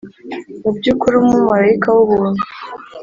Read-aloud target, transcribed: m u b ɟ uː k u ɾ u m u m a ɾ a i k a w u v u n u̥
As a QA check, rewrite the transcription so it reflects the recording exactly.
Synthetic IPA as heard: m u b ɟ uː k u ɾ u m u m a ɾ a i k a w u β u n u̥

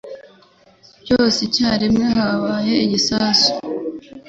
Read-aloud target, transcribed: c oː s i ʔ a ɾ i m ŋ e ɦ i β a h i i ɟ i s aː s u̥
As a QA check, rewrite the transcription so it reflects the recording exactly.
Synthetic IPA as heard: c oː s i c a ɾ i m ŋ e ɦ a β a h e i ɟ i s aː s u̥

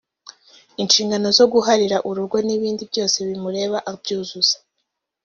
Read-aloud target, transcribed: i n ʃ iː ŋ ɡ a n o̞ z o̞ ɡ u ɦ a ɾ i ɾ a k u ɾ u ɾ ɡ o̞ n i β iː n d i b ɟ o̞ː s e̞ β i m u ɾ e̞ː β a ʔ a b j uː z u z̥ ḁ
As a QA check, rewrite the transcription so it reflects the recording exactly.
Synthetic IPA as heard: i n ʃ iː ŋ ɡ a n o̞ z o̞ ɡ u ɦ a ɾ i ɾ a ʔ u ɾ u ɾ ɡ o̞ n i β iː n d i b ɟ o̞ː s e̞ β i m u ɾ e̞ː β a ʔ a b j uː z u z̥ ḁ

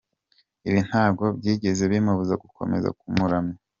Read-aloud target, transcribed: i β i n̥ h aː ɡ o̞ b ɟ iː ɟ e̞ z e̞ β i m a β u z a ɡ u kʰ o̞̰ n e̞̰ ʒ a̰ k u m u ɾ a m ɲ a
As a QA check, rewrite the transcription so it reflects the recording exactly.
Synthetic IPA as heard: i β i n̥ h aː ɡ o̞ b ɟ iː ɟ e̞ z e̞ β i m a β u z a ɡ u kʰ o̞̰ m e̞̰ z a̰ k u m u ɾ a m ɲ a

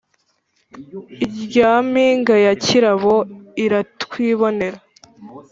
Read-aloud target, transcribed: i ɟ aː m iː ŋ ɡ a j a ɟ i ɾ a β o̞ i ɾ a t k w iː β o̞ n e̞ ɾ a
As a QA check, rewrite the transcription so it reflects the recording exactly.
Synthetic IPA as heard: i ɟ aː m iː ŋ ɡ a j a c i ɾ a β o̞ i ɾ a t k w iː β o̞ n e̞ ɾ a

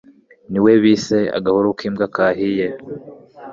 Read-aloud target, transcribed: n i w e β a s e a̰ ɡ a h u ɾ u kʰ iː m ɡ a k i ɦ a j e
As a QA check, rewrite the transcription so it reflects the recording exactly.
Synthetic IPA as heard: n i w e β i s e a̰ ɡ a h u ɾ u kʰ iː m ɡ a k a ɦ i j e

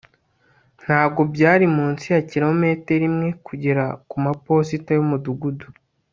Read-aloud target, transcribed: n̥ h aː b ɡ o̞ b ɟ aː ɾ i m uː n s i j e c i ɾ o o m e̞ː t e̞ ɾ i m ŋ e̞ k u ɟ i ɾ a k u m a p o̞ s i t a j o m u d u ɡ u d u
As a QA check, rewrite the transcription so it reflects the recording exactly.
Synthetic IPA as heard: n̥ h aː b ɡ o̞ b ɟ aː ɾ i m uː n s i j a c i ɾ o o m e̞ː t e̞ ɾ i m ŋ e̞ k u ɟ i ɾ a k u m a p o̞ s i t a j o m u d u ɡ u d u

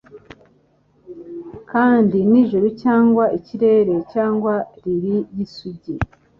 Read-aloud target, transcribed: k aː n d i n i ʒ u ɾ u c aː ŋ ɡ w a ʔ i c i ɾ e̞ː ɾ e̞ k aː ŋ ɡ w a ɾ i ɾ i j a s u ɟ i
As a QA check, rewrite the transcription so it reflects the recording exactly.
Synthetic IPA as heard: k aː n d i n i ʒ u ɾ u c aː ŋ ɡ w a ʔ i c i ɾ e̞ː ɾ e̞ c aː ŋ ɡ w a ɾ i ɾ i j i s u ɟ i

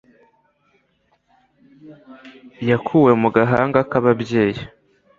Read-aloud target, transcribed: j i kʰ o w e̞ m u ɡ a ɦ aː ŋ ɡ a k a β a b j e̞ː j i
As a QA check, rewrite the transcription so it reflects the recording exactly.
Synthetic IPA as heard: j a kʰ u w e̞ m u ɡ a ɦ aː ŋ ɡ a k a β a b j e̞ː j i

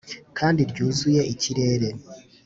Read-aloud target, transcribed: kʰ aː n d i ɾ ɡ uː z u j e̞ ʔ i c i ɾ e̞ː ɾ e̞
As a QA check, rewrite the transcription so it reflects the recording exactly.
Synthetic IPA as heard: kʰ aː n d i ɾ ɟ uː z u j e̞ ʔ i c i ɾ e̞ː ɾ e̞

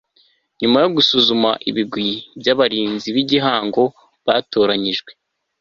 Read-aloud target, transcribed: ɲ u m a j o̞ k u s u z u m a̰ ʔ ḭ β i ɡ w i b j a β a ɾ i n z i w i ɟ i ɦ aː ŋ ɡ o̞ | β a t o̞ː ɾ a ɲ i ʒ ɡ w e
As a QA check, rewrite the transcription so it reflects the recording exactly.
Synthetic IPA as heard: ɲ u m a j o̞ ɡ u s u z u m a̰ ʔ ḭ β i ɡ w i b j a β a ɾ iː n z i β i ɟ i ɦ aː ŋ ɡ o̞ | β a t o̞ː ɾ a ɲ i ʒ ɡ w e

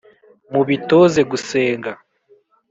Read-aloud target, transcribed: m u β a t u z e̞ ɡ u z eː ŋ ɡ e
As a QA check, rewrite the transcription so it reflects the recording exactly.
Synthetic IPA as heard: m u β i t o z e̞ ɡ u s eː ŋ ɡ a

